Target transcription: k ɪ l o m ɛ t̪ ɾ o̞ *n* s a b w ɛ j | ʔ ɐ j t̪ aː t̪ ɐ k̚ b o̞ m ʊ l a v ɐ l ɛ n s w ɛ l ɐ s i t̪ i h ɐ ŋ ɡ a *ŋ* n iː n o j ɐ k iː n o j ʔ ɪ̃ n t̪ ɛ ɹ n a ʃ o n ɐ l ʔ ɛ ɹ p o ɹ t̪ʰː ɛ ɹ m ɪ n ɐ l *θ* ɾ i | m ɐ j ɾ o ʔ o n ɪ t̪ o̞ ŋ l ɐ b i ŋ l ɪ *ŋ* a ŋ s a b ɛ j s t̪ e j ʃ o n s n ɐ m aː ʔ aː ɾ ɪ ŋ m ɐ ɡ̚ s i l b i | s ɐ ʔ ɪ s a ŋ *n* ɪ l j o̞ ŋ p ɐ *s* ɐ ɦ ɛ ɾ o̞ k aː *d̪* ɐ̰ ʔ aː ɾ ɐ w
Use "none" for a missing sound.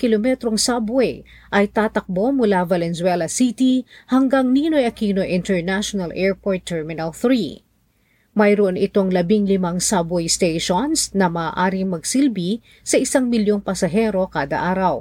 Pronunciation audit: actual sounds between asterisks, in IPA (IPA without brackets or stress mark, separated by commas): ŋ, ŋ, θ, m, m, s, d̪